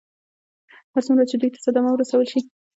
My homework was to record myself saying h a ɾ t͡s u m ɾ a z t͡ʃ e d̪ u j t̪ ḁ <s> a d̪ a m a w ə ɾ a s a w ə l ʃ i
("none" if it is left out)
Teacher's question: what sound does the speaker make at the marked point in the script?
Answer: s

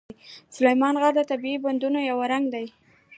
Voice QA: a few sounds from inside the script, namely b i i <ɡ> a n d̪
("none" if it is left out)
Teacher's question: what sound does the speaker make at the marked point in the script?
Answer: b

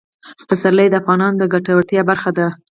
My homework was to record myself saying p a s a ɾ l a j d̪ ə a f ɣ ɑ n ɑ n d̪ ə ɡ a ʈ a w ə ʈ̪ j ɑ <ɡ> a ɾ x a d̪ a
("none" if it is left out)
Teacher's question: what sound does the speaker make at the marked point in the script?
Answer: b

